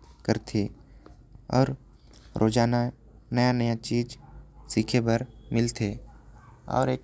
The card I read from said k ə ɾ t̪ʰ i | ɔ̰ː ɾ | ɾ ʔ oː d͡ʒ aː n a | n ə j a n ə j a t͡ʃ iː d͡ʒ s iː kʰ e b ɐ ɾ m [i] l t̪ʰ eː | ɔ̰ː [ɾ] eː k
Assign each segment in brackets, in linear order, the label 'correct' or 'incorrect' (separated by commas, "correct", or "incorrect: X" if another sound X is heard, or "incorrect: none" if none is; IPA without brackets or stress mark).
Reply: incorrect: ɪ, correct